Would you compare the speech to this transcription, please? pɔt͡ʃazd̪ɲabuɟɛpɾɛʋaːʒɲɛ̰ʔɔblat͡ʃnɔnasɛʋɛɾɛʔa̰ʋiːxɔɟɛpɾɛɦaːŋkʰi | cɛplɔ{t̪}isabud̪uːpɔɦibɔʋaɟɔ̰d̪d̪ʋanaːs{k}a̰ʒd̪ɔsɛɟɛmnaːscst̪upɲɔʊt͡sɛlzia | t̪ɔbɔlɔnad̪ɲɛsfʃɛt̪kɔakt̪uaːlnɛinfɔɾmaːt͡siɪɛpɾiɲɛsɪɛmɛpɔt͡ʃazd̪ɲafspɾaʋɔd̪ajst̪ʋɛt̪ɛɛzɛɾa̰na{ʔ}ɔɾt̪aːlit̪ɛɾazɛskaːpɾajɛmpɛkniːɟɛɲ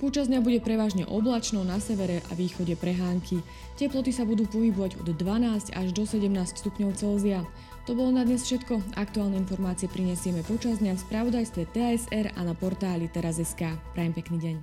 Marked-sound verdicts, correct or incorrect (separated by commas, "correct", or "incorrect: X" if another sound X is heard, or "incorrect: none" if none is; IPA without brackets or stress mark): correct, incorrect: c, incorrect: p